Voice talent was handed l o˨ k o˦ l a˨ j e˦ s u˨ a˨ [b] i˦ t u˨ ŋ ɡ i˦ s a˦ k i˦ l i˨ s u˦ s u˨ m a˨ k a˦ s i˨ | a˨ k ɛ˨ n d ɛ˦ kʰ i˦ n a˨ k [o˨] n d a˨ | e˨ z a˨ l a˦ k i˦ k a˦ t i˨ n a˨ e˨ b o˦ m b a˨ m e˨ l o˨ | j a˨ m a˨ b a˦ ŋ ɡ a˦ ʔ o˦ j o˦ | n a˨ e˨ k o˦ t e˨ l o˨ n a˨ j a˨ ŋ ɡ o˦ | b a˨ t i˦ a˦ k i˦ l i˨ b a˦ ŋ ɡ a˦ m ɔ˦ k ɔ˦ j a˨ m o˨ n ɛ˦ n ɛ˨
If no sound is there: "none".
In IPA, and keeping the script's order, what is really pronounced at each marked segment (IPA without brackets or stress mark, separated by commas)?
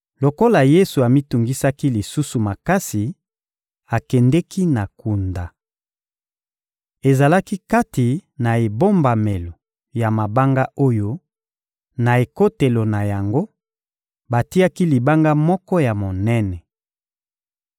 m, u˨